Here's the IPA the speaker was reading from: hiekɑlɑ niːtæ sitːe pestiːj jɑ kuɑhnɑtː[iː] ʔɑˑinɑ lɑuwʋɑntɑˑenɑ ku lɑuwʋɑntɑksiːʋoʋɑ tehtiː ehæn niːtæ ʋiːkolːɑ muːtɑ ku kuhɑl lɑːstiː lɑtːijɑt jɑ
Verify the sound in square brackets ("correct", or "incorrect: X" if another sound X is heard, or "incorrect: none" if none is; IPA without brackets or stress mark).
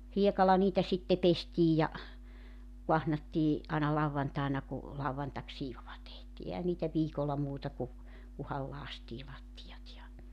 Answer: correct